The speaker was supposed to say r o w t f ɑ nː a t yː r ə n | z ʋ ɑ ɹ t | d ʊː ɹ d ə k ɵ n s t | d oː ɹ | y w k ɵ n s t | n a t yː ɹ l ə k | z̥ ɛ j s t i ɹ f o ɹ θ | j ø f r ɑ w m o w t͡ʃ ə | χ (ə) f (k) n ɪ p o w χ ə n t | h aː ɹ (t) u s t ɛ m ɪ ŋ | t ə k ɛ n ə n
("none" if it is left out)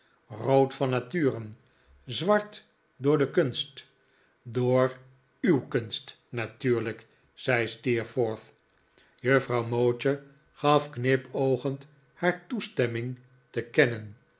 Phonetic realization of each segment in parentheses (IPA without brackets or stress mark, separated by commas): ɑ, k, t